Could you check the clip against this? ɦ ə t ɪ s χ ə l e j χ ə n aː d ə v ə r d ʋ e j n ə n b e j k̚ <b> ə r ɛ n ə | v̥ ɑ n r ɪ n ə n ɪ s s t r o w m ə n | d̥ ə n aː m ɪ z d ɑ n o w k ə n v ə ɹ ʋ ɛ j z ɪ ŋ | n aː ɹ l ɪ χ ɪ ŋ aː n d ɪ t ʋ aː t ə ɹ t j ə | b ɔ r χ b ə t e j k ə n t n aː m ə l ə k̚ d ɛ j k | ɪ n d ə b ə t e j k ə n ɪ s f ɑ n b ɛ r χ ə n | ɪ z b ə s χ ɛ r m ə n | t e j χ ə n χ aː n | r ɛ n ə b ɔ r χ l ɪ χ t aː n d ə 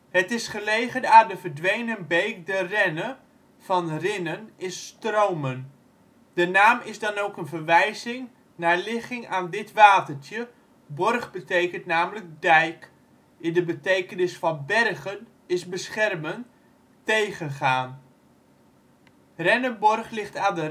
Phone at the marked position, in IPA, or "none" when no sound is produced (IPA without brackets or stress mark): d